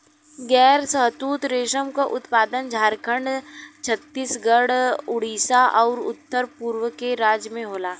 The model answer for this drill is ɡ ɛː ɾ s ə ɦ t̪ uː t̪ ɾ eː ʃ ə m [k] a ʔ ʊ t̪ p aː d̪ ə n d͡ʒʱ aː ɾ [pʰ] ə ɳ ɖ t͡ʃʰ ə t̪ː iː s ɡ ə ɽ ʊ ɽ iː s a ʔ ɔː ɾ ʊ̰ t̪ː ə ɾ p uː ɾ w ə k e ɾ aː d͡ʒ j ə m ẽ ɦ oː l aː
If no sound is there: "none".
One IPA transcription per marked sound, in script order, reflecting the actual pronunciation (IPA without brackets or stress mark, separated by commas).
k, kʰ